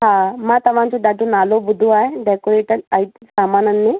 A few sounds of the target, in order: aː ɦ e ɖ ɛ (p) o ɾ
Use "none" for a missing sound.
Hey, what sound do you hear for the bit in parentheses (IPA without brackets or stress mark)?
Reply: k